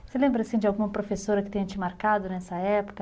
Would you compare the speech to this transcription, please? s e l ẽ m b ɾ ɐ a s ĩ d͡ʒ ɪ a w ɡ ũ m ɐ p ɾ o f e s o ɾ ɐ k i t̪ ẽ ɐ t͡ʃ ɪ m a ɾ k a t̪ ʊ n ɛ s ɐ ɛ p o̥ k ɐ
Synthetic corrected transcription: s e l ẽ m b ɾ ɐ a s ĩ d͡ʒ ɪ a w ɡ ũ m ɐ p ɾ o f e s o ɾ ɐ k ɪ t̪ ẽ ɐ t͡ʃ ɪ m a ɾ k a d̪ ʊ n ɛ s ɐ ɛ p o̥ k ɐ